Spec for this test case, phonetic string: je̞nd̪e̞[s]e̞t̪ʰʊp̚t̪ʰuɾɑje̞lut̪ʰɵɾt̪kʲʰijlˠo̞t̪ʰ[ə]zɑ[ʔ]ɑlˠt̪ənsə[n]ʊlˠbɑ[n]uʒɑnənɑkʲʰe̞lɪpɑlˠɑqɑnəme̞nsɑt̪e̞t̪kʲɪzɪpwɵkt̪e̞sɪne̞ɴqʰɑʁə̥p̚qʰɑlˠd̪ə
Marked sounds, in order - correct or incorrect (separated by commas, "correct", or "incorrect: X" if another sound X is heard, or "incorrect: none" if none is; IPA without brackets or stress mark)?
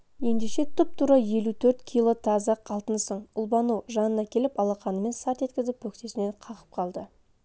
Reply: incorrect: ʃ, incorrect: ɑ, incorrect: q, incorrect: ɴ, correct